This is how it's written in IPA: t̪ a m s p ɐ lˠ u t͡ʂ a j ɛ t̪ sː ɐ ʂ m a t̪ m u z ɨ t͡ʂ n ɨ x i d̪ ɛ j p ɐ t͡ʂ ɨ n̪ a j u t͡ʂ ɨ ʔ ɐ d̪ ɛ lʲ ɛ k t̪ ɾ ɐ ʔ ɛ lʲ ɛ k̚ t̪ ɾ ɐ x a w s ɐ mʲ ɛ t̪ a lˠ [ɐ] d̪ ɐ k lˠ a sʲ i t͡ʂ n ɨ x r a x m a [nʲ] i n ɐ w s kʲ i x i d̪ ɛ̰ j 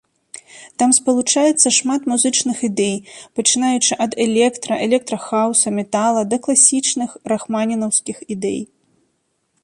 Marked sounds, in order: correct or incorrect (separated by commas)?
correct, correct